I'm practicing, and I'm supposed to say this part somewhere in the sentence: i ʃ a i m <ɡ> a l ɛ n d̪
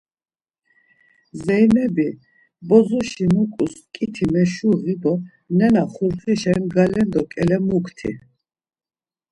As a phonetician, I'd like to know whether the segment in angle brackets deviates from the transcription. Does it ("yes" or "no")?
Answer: no